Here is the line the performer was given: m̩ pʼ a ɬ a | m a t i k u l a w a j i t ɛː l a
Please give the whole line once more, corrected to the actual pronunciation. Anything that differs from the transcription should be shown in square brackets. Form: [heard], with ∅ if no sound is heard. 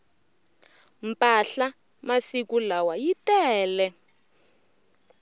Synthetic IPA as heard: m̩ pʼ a ɬ a | m a [s] i k u l a w a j i t ɛː l [ɛ]